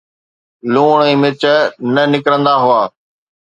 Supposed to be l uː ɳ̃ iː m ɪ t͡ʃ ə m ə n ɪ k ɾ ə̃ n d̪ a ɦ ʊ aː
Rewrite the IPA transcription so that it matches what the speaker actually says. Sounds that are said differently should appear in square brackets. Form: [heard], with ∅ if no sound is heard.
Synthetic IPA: l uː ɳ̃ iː m ɪ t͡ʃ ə [n] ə n ɪ k ɾ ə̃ n d̪ a ɦ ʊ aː